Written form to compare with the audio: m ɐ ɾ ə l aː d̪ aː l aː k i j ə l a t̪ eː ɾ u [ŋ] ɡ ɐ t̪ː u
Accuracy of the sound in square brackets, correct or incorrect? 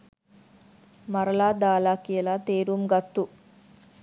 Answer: incorrect